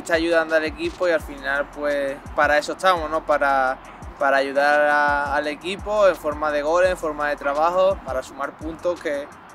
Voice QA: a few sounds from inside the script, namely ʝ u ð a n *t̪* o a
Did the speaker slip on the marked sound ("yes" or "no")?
yes